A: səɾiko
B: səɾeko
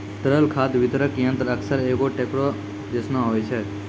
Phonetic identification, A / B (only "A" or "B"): B